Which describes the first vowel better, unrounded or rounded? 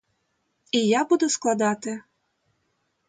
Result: unrounded